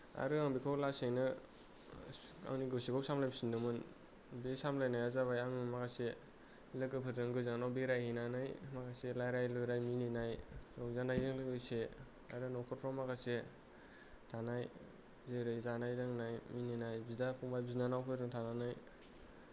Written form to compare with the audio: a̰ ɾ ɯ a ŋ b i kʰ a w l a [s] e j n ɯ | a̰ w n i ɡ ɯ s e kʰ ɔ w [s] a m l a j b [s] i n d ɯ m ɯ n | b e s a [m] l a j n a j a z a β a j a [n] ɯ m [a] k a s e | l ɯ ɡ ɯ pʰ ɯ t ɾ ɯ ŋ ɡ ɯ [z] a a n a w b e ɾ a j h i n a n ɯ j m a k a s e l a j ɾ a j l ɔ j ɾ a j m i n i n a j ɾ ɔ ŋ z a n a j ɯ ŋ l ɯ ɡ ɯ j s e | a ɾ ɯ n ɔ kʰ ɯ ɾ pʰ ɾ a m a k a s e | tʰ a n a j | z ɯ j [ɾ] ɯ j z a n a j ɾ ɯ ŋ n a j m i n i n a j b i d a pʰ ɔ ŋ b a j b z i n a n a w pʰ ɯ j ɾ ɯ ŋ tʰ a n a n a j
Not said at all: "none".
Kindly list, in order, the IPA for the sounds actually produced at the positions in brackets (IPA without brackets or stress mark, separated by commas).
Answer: s, s, s, m, ŋ, a, z, ɾ